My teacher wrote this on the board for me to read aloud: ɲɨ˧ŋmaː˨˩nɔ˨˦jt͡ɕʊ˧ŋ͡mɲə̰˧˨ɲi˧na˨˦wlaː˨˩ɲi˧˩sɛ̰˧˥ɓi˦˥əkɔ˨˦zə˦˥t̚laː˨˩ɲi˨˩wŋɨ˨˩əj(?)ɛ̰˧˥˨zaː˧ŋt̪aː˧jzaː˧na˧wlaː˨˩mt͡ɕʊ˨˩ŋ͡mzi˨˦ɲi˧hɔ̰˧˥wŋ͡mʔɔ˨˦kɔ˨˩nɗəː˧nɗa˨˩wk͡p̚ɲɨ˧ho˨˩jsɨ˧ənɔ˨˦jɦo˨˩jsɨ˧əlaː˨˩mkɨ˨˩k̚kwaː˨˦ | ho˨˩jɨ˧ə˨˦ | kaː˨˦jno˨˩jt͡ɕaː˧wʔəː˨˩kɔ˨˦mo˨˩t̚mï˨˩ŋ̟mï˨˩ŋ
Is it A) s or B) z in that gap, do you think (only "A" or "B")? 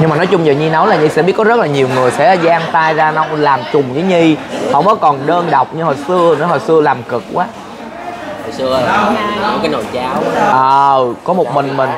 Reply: A